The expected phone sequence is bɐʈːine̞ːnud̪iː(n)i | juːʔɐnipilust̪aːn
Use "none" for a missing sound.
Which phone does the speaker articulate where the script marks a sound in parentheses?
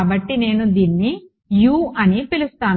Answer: nː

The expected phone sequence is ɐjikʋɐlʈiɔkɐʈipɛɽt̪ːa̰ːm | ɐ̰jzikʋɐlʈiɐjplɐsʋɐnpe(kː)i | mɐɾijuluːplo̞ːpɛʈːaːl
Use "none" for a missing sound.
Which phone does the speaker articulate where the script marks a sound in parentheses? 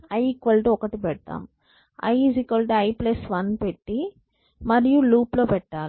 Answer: ʈː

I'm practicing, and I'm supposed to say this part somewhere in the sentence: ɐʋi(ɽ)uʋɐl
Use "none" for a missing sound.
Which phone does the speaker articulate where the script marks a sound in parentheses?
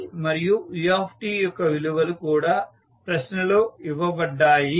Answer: l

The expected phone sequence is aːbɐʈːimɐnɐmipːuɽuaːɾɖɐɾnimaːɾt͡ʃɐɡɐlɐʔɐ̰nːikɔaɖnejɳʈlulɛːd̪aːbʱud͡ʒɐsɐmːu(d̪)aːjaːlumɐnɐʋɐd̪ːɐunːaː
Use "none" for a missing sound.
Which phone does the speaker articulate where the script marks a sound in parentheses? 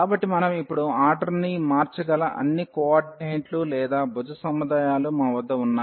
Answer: d̪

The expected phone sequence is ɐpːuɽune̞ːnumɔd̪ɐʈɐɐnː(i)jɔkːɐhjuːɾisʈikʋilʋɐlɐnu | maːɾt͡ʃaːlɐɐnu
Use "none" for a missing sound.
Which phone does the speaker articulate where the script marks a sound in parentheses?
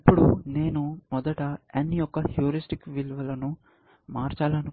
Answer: i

